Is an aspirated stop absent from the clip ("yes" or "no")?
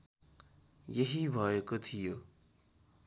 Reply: no